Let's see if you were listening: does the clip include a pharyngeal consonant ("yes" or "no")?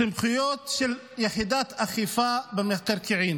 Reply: yes